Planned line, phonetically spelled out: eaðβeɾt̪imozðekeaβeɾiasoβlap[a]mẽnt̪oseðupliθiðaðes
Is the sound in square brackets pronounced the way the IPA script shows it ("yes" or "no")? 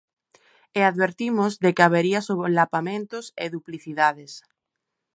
yes